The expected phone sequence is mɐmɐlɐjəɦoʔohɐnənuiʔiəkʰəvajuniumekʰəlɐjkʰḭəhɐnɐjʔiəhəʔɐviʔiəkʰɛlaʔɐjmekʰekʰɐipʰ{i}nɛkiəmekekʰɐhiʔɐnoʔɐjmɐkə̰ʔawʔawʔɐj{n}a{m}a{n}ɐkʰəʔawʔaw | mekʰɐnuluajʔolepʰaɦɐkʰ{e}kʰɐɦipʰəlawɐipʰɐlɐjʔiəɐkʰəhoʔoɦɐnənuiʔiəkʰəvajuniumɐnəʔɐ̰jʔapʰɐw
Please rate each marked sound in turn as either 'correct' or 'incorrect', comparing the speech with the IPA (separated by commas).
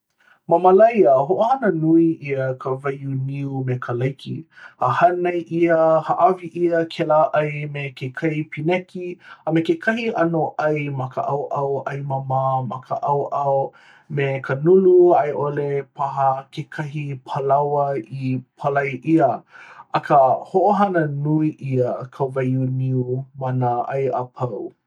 correct, incorrect, correct, incorrect, correct